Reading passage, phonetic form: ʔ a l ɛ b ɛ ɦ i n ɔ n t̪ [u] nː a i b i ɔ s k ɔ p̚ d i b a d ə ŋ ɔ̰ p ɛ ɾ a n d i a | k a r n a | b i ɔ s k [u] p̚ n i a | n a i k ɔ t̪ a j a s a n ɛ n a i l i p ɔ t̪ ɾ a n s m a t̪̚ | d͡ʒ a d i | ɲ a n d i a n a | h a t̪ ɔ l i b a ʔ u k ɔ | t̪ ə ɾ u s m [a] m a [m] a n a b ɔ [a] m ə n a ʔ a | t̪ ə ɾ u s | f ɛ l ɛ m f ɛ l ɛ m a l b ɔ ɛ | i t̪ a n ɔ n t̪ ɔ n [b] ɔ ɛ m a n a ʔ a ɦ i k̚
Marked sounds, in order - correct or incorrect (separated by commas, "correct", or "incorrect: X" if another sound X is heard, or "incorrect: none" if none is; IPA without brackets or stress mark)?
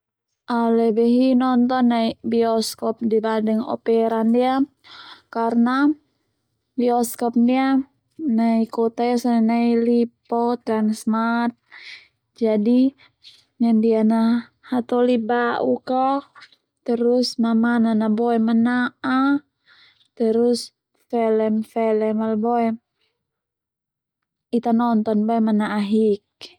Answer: incorrect: ɔ, incorrect: ɔ, correct, incorrect: n, incorrect: ɛ, correct